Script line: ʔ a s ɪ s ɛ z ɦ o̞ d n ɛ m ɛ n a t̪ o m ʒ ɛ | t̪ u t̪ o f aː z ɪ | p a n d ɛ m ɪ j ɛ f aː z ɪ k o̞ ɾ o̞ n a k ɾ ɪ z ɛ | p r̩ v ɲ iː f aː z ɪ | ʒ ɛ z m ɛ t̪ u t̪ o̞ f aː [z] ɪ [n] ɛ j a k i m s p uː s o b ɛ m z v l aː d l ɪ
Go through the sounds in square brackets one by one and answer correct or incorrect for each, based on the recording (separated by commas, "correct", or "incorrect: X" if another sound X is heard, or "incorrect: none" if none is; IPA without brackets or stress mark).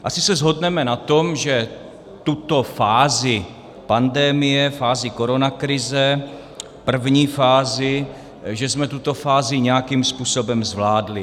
correct, incorrect: ɲ